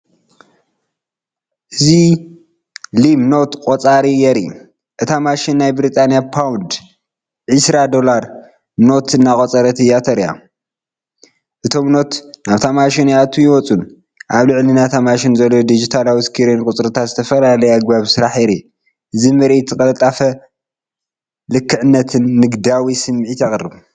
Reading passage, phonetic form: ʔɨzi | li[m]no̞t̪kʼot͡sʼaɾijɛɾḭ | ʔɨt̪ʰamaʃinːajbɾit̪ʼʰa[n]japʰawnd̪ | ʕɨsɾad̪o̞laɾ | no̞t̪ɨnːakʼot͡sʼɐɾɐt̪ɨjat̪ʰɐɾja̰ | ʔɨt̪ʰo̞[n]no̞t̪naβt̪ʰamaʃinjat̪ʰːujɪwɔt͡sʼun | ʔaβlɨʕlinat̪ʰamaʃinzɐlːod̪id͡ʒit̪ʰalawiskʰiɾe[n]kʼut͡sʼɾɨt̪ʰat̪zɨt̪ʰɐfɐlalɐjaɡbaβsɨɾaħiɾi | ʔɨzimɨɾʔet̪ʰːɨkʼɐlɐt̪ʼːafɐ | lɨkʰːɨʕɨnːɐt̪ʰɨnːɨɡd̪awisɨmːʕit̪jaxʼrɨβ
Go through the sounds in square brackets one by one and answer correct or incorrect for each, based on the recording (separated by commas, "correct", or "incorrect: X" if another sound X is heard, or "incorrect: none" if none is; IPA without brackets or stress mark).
correct, correct, incorrect: m, correct